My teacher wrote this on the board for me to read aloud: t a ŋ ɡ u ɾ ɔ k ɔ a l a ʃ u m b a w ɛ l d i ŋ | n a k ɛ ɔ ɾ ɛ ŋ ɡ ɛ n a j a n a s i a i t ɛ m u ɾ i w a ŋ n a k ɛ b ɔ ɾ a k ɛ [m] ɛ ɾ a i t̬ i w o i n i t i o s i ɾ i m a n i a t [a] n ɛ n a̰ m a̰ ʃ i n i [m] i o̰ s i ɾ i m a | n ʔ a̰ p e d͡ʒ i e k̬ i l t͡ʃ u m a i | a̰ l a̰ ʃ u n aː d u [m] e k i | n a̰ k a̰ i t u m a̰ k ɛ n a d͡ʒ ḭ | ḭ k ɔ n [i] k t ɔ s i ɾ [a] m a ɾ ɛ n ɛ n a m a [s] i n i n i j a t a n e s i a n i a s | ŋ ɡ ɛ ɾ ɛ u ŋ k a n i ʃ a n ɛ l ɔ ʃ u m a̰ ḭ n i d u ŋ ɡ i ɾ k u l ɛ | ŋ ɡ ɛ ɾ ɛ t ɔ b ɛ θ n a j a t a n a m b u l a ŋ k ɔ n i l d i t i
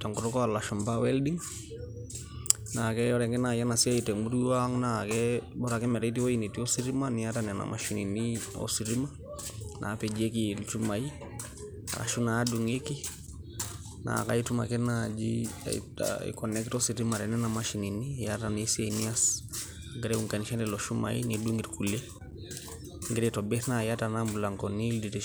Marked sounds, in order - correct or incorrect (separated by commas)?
correct, correct, incorrect, incorrect, incorrect, incorrect, incorrect